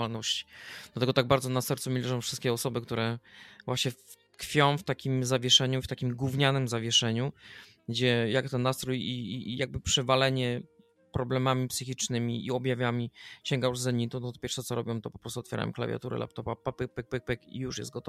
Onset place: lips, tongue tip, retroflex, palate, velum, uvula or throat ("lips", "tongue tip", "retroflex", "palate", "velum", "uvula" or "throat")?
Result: tongue tip